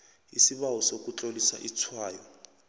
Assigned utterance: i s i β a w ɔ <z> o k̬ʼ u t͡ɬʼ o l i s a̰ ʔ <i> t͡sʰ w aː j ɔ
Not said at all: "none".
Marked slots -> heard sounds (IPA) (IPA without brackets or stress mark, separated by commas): s, i